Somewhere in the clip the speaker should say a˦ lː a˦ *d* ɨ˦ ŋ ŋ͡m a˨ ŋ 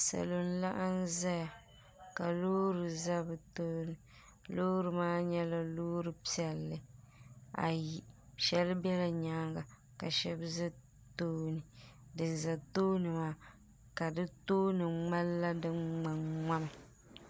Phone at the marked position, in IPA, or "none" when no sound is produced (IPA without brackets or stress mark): d